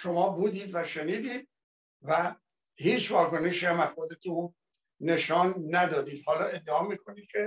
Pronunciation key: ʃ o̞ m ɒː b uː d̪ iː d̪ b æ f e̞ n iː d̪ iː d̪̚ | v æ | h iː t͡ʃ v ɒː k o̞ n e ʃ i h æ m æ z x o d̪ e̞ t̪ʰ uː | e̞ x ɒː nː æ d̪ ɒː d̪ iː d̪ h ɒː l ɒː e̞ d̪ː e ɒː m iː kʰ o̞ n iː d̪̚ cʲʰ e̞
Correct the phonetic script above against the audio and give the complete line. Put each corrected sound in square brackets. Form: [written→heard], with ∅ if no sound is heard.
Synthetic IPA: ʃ o̞ m ɒː b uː d̪ iː d̪ [b→v] æ [f→ʃ] e̞ n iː d̪ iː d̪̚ | v æ | h iː t͡ʃ v ɒː k o̞ n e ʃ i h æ m æ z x o d̪ e̞ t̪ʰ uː | e̞ [x→ʃ] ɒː nː æ d̪ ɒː d̪ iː d̪ h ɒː l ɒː e̞ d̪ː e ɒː m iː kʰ o̞ n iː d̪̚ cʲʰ e̞